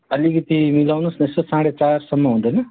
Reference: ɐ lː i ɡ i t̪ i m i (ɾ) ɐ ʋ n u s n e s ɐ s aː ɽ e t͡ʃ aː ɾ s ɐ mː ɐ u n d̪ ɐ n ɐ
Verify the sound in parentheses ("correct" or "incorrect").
incorrect